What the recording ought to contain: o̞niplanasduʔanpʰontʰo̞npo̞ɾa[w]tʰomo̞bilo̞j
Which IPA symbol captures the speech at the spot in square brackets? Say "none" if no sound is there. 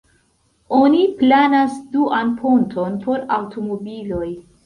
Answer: w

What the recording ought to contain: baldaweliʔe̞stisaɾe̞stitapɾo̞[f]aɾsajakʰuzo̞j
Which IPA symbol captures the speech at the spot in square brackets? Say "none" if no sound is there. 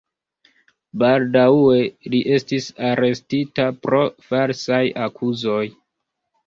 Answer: f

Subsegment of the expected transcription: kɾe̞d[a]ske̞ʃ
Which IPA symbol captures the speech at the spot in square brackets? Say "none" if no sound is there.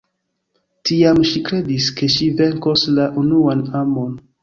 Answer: i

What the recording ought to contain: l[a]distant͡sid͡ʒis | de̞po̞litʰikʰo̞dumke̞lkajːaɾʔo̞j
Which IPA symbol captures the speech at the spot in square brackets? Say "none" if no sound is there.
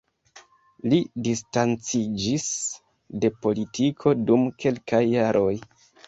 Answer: i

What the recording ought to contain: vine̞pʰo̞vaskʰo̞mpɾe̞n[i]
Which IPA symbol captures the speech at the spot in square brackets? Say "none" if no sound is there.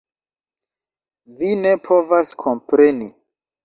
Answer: i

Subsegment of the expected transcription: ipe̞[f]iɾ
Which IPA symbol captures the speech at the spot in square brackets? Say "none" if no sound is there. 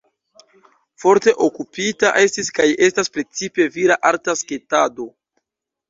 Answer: v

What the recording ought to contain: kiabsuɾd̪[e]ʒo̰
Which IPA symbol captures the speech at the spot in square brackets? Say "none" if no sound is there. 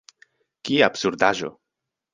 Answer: a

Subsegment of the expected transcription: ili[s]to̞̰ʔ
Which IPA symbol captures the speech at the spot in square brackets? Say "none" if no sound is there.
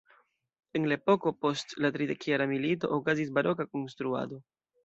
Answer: none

